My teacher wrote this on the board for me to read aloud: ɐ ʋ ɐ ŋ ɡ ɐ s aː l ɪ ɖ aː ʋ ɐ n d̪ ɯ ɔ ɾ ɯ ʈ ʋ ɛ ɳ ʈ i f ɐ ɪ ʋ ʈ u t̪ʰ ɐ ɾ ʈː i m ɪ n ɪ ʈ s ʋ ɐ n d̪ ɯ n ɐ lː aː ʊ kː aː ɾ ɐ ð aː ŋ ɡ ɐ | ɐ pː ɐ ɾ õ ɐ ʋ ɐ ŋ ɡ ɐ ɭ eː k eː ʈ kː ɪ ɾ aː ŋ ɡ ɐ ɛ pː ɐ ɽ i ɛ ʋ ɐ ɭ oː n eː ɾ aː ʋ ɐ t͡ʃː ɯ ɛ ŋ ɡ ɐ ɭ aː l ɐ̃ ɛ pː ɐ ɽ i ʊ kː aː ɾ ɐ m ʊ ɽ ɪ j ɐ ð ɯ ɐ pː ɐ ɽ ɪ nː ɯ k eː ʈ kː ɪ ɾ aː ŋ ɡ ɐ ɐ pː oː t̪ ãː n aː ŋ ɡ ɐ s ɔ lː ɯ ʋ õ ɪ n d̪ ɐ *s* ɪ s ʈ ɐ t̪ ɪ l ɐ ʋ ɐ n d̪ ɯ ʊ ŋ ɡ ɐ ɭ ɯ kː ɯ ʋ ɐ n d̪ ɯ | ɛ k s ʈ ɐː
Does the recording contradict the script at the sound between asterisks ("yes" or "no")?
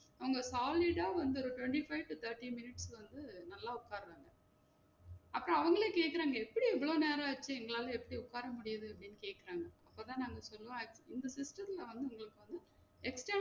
no